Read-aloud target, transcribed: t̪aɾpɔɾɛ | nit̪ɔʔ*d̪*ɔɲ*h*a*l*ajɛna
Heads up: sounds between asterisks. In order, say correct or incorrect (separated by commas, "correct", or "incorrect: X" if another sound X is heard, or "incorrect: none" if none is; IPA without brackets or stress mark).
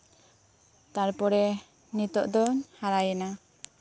correct, correct, incorrect: ɾ